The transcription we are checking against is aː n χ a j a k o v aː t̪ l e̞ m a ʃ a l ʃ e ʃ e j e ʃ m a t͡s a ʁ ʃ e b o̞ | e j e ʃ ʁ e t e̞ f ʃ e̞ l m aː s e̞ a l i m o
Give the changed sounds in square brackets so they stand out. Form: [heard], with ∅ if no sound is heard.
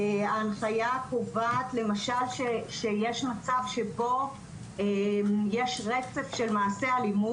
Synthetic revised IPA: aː n χ a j a k o v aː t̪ l e̞ m a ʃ a l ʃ e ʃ e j e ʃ m a t͡s a [v] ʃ e b o̞ | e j e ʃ ʁ e [t͡s] e̞ f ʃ e̞ l m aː s e̞ a l i m [u]